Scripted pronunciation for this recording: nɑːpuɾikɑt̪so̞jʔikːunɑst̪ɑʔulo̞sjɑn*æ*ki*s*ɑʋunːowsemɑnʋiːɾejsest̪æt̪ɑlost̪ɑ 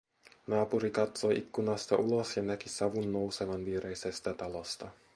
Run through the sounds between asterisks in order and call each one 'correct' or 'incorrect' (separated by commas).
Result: correct, correct